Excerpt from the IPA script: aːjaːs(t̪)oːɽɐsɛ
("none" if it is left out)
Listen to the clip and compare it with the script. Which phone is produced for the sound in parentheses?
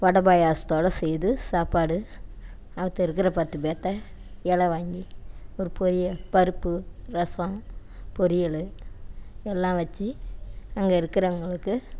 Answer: t̪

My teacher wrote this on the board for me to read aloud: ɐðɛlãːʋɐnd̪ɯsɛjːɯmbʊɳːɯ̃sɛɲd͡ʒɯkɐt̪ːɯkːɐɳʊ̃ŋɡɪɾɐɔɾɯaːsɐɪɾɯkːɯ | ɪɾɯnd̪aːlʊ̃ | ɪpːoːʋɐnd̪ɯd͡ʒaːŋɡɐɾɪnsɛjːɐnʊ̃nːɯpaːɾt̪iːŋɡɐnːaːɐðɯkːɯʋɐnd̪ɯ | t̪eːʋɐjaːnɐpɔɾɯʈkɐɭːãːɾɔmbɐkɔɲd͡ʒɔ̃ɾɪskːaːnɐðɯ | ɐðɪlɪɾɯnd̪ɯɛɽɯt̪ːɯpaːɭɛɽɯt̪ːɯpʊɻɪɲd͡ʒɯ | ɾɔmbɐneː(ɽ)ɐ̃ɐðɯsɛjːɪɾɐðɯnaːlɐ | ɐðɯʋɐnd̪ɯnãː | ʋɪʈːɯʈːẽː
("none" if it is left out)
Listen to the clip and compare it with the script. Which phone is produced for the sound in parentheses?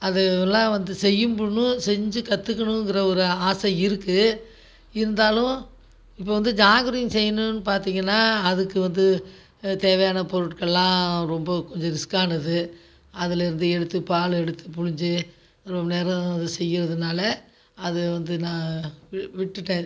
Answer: ɾ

